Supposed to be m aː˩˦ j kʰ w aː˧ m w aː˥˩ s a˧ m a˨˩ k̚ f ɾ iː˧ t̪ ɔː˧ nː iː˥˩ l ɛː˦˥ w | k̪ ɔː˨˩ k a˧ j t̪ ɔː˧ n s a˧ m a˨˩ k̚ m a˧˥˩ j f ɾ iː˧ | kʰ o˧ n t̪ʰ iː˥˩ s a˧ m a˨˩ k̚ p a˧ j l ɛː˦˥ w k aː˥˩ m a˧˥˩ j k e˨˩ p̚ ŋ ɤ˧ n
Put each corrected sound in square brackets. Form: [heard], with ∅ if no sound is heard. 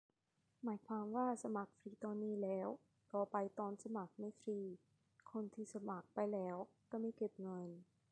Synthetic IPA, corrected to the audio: m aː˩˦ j kʰ w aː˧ m w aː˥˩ s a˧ m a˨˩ k̚ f ɾ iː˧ t̪ ɔː˧ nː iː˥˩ l ɛː˦˥ w | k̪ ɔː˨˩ [p] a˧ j t̪ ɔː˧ n s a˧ m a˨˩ k̚ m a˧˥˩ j f ɾ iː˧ | kʰ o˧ n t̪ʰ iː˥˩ s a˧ m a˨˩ k̚ p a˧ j l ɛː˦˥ w k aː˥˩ m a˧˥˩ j k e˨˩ p̚ ŋ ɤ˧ n